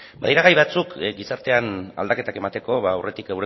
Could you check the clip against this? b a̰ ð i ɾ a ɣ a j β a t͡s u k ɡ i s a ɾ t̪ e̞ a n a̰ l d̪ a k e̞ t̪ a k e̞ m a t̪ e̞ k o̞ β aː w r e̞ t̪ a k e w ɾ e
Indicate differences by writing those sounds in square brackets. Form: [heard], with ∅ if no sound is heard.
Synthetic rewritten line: b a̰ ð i ɾ a ɣ a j β a t͡s u k ɡ i s a ɾ t̪ e̞ a n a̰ l d̪ a k e̞ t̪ a k e̞ m a t̪ e̞ k o̞ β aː w r e̞ t̪ [i] k e w ɾ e